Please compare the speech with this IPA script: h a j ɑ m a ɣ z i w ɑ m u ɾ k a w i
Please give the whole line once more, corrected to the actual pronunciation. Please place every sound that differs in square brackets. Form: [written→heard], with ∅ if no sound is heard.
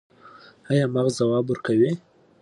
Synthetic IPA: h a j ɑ m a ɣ z [i→a] w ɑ [m→b] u ɾ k a w i

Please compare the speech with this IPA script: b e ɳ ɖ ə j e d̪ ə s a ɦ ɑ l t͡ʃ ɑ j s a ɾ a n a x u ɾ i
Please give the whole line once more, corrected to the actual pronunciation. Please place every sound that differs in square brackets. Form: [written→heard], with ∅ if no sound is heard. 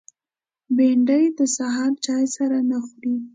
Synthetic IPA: b e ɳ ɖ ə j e d̪ ə s a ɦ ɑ [l→ɾ] t͡ʃ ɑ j s a ɾ a n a x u ɾ i

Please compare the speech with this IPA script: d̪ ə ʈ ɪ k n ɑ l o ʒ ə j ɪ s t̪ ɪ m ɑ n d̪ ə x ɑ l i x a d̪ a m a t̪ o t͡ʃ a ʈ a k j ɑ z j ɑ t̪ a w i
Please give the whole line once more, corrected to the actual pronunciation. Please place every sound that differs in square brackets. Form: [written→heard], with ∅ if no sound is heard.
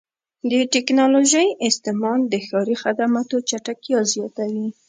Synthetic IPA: d̪ ə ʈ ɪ k n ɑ l o ʒ ə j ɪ s t̪ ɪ m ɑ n d̪ ə x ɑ [l→ɾ] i x a d̪ a m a t̪ o t͡ʃ a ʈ a k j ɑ z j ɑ t̪ a w i

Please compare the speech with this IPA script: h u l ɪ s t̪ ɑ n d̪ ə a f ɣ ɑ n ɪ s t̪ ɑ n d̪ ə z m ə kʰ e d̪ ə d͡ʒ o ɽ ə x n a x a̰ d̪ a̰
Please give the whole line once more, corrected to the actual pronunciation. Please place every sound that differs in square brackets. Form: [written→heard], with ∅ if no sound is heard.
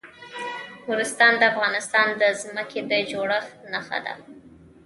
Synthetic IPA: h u [l→ɾ] ɪ s t̪ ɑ n d̪ ə a f ɣ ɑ n ɪ s t̪ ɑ n d̪ ə z m ə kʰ e d̪ ə d͡ʒ o ɽ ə x n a x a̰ d̪ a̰

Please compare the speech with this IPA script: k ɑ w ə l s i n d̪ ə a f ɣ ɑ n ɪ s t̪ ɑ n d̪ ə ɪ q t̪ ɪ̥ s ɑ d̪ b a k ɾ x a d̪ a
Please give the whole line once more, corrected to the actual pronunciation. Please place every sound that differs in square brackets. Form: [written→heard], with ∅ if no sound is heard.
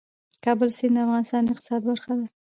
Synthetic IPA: k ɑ [w→b] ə l s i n d̪ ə a f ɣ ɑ n ɪ s t̪ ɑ n d̪ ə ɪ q t̪ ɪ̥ s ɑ d̪ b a [k→∅] ɾ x a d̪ a

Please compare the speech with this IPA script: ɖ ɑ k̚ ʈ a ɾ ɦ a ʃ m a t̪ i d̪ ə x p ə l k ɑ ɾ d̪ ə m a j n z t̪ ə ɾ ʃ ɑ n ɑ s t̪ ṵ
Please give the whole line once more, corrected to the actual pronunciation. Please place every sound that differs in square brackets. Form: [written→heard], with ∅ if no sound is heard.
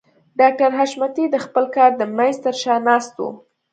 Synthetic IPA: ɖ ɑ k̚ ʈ a ɾ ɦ a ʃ m a t̪ i d̪ ə x p ə l k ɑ ɾ d̪ ə m a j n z t̪ ə ɾ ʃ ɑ n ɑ s t̪ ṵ

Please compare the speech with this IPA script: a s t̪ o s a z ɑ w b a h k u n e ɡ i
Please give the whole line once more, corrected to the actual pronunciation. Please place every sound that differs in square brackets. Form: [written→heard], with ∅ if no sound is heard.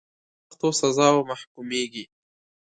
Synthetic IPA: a [s→x] t̪ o s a z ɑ w [b→m] a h k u [n→m] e ɡ i

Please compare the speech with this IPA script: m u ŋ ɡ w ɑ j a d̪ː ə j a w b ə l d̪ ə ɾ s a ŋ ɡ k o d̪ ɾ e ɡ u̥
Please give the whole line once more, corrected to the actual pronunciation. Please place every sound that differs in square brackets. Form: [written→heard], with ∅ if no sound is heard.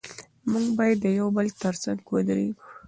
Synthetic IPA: m u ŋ ɡ [w→b] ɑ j a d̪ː ə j a w b ə l [d̪→t̪] ə ɾ s a ŋ ɡ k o d̪ ɾ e ɡ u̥

